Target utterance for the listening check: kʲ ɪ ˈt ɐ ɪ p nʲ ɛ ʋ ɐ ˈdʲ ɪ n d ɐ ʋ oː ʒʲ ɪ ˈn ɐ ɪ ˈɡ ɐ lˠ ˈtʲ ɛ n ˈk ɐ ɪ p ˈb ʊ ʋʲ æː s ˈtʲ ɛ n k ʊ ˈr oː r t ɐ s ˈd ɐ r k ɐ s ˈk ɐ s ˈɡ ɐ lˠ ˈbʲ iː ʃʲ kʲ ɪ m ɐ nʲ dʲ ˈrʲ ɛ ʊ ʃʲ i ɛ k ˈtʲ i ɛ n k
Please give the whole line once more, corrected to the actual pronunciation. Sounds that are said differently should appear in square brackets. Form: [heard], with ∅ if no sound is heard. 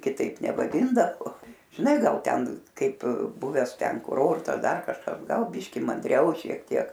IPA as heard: kʲ ɪ ˈt ɐ ɪ p nʲ ɛ ʋ ɐ ˈdʲ ɪ n d ɐ ʋ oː ʒʲ ɪ ˈn ɐ ɪ ˈɡ ɐ lˠ ˈtʲ ɛ n ˈk ɐ ɪ p ˈb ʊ ʋʲ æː s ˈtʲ ɛ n k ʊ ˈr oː r t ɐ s ˈd ɐ r k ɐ [ʃ] ˈk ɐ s ˈɡ ɐ lˠ ˈbʲ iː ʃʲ kʲ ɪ m ɐ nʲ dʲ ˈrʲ ɛ ʊ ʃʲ i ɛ k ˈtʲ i ɛ [∅] k